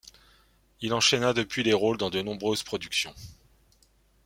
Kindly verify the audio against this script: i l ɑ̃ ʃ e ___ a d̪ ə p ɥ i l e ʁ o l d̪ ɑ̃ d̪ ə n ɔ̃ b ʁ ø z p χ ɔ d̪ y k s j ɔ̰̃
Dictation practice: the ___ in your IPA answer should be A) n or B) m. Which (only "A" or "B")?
A